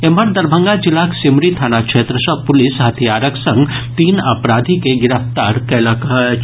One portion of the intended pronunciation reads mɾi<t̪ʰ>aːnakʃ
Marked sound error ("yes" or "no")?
no